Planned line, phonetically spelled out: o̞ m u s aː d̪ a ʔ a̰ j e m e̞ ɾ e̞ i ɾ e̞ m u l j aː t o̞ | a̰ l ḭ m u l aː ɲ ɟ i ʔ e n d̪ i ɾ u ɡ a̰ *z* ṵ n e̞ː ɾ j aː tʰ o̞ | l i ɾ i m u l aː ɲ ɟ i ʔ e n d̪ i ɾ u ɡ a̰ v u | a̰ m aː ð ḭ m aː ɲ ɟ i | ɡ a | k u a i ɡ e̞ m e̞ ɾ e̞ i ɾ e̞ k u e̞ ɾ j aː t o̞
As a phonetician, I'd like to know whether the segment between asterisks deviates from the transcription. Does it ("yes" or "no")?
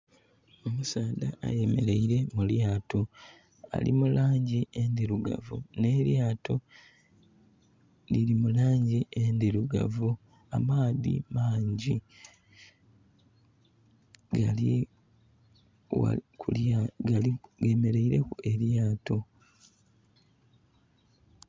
yes